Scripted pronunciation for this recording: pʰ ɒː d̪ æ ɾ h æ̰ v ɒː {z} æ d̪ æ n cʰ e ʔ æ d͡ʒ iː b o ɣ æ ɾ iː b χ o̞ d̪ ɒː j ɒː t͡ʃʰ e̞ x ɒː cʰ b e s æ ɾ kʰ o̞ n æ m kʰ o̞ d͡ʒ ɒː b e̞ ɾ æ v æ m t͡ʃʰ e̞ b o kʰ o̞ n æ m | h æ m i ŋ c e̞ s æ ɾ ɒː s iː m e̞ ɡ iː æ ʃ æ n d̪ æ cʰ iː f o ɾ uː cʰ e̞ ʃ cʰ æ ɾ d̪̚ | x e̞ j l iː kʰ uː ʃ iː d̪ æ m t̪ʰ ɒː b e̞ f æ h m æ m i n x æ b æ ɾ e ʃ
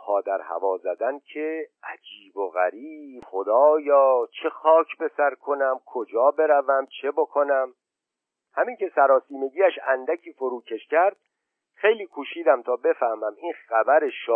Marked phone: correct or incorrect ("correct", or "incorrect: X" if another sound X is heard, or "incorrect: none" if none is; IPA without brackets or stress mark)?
correct